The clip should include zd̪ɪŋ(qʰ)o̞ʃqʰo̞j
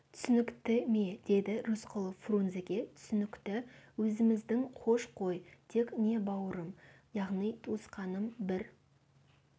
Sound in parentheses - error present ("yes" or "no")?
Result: no